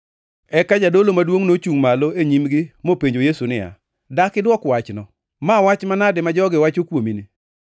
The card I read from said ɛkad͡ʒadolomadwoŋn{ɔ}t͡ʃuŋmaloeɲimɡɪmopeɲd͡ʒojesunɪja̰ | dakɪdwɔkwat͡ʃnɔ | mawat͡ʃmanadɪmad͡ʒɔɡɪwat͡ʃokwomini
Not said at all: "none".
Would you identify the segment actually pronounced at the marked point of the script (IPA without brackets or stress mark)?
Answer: o